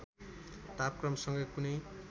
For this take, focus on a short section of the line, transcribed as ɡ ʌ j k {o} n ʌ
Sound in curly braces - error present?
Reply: yes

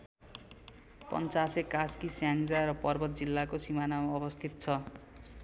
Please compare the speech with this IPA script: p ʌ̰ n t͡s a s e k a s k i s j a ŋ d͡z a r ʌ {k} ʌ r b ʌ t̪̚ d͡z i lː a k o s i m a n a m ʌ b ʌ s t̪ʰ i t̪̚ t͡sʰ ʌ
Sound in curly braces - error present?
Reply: yes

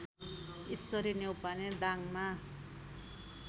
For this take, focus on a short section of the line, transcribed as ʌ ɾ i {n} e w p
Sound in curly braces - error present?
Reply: no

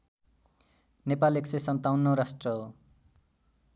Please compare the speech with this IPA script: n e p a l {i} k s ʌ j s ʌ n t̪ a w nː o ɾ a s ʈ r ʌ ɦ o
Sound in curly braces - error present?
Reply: yes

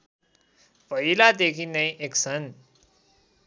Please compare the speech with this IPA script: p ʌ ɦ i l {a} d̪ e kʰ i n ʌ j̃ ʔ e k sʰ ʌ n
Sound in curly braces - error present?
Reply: no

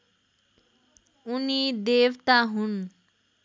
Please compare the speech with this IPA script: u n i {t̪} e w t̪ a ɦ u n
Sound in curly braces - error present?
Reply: yes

